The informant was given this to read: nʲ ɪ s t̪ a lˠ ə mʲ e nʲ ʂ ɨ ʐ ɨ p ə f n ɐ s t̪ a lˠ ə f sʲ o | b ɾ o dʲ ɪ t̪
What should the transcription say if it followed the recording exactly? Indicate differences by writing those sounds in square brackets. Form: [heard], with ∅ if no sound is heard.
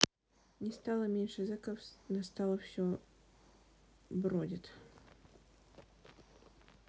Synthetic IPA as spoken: nʲ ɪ s t̪ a lˠ ə mʲ e nʲ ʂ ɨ [z] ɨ [k] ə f n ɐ s t̪ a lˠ ə f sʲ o | b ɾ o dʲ ɪ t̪